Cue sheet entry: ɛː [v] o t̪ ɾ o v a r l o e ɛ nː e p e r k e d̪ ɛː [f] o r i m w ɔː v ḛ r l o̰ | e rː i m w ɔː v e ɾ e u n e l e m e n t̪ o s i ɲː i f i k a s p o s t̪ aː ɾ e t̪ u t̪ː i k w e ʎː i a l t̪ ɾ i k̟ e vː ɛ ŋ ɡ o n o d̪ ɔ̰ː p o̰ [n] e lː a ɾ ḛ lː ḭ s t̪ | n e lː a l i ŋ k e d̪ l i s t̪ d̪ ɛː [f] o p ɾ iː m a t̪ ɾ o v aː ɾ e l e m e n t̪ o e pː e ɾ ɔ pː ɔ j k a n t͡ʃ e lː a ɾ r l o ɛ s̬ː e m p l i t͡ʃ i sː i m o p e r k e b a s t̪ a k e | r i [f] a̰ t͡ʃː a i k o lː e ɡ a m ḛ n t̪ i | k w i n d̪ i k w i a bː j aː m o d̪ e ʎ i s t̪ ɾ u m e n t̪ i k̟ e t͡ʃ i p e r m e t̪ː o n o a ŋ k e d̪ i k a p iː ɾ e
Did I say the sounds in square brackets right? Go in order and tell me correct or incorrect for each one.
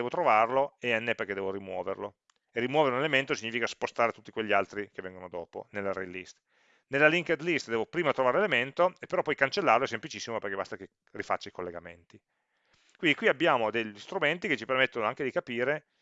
correct, incorrect: v, correct, incorrect: v, correct

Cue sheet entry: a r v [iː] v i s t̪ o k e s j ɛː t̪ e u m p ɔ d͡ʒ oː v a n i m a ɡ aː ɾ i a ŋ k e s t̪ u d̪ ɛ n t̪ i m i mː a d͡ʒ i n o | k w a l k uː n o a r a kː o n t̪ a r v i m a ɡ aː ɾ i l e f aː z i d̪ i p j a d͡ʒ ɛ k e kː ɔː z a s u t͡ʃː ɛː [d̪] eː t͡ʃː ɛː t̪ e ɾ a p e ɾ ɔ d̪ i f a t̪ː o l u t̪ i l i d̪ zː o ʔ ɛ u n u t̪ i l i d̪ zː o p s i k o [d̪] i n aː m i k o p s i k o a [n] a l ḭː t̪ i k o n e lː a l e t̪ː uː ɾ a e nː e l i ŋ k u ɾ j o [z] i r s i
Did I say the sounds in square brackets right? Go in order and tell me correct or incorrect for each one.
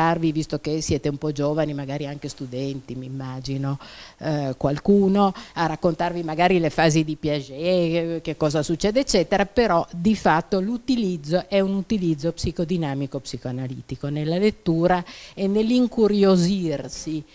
incorrect: i, correct, correct, correct, correct

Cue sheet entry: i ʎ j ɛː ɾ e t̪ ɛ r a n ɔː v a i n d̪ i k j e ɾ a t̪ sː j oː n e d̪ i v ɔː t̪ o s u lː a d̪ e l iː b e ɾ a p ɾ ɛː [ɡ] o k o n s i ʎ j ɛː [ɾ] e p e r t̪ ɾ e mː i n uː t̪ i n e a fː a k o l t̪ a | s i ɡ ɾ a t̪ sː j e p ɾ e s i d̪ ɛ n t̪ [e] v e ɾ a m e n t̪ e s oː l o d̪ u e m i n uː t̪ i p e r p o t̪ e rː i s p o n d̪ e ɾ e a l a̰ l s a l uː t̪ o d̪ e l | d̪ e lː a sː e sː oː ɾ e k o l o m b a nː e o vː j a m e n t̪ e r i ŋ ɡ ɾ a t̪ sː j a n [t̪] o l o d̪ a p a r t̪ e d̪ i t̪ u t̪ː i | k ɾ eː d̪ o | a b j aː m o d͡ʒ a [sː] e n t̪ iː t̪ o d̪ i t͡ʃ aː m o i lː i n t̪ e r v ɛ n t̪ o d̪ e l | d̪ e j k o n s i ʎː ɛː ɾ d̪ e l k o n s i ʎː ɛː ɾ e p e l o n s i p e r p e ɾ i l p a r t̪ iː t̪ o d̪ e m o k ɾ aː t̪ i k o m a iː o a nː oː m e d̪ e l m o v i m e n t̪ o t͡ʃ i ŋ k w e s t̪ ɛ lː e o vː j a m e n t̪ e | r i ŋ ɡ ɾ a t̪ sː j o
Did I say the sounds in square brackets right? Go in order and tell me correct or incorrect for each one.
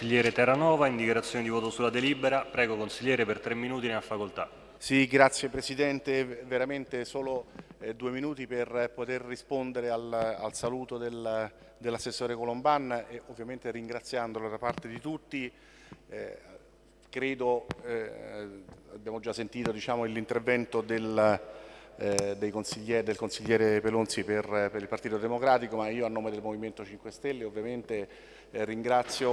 correct, correct, correct, incorrect: d̪, correct

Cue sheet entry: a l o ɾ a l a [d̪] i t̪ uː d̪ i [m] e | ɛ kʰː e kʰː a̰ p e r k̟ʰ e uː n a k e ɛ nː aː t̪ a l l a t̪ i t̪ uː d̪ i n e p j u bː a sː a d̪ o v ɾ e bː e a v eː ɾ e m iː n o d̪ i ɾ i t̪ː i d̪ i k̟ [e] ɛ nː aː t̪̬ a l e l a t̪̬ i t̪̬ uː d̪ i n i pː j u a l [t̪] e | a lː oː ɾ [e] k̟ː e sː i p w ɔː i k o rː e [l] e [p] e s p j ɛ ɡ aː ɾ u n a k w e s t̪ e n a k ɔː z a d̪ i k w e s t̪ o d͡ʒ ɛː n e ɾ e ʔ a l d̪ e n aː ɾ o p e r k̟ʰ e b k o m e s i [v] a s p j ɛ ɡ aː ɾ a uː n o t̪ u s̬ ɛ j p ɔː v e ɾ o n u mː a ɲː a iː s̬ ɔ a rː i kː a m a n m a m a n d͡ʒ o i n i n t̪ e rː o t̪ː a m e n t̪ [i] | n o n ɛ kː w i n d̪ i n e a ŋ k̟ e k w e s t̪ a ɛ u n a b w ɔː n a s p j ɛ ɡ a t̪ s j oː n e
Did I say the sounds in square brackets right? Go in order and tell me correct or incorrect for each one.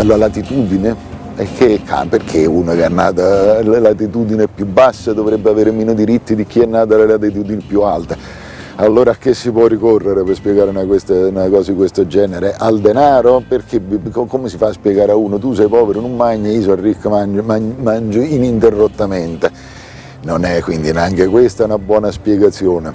incorrect: t̪, incorrect: n, incorrect: i, correct, incorrect: a, incorrect: ɾ, correct, incorrect: f, incorrect: e

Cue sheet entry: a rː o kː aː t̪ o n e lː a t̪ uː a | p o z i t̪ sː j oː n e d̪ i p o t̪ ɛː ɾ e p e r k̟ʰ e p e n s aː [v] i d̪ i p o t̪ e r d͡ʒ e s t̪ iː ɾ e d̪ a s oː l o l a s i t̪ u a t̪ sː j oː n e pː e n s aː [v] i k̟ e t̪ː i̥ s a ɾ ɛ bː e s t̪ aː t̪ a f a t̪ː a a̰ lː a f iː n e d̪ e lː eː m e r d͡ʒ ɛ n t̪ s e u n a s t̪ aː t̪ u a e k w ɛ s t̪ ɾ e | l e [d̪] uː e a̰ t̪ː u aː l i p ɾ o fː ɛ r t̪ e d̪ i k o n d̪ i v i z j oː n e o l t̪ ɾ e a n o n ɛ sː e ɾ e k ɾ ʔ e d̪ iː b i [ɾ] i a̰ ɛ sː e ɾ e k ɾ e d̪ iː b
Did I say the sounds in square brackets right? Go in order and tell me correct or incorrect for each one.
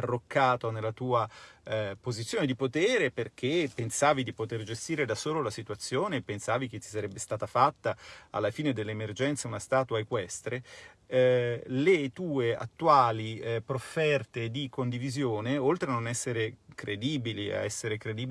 correct, correct, incorrect: t̪, incorrect: l

